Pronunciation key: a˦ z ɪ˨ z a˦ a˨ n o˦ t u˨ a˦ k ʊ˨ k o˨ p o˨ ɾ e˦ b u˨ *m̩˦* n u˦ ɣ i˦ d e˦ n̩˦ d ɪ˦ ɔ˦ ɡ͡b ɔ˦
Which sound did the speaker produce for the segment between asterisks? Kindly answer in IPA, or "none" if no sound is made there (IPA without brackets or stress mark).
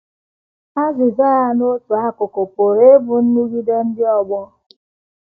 n̩˦